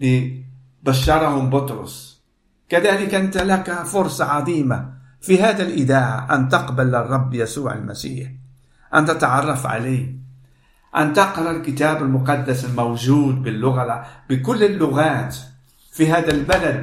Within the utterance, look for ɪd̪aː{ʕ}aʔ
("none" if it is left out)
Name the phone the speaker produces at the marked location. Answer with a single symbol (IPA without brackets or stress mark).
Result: ʕ